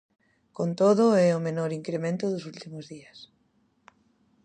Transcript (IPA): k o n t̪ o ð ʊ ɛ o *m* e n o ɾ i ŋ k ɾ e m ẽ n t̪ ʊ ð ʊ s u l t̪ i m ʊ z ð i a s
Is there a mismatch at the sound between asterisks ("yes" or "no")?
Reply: no